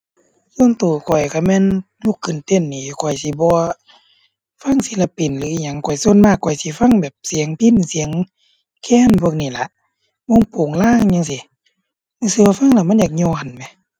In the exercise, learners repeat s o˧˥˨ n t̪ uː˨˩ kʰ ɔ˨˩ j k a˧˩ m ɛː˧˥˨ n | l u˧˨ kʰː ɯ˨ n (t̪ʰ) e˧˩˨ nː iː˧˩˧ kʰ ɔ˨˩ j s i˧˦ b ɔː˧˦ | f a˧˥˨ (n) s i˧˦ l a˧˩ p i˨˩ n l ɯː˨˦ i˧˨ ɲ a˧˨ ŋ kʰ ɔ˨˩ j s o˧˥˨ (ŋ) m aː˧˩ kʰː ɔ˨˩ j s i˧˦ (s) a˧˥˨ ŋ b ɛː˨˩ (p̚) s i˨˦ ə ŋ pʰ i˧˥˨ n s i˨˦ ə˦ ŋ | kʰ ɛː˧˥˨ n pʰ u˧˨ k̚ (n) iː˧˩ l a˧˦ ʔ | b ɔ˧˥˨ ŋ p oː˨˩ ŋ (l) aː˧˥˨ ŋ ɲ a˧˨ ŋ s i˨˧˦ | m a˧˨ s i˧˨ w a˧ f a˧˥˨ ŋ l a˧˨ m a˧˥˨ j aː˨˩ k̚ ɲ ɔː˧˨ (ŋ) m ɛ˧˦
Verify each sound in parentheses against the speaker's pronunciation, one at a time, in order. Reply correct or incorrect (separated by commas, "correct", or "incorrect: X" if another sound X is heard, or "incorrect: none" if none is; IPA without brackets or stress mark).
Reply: incorrect: t̪, incorrect: ŋ, incorrect: n, incorrect: f, correct, correct, correct, incorrect: n